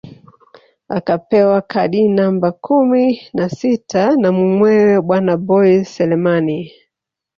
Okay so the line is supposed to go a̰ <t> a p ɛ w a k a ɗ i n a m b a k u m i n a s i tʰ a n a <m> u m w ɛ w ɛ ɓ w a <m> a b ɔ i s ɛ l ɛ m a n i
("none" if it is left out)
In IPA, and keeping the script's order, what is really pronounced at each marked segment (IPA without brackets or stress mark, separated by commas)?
k, m, n